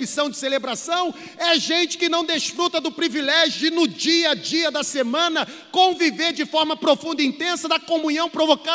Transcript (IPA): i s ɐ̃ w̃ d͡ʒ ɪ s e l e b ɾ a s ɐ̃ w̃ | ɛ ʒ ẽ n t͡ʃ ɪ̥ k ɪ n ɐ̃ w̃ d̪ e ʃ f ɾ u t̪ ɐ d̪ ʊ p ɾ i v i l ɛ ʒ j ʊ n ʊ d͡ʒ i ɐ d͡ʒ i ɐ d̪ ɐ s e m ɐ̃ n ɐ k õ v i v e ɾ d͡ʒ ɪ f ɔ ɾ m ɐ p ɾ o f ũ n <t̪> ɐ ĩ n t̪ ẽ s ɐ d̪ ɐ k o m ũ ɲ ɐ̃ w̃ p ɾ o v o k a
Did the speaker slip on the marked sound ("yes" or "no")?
yes